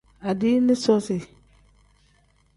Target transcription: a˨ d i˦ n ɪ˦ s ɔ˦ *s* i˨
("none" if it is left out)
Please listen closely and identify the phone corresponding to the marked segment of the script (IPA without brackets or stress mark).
s